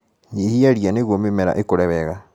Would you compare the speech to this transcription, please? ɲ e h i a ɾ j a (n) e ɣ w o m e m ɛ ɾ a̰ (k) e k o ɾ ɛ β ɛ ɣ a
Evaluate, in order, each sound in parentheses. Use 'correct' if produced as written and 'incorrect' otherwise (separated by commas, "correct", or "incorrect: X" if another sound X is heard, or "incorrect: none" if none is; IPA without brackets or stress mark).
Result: correct, incorrect: ʔ